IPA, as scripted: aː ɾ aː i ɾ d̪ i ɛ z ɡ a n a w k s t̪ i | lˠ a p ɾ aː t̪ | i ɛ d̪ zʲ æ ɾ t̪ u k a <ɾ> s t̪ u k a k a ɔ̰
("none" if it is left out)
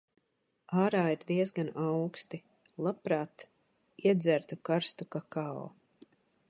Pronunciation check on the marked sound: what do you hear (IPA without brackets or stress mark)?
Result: ɾ